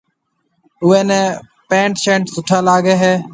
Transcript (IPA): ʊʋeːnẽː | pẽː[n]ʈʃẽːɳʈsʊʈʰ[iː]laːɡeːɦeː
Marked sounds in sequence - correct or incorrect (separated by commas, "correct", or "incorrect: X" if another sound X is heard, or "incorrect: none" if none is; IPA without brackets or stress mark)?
incorrect: ɳ, incorrect: aː